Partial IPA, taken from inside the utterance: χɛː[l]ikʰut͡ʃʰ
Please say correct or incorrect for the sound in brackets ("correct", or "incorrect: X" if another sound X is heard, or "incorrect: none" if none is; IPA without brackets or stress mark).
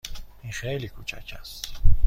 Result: correct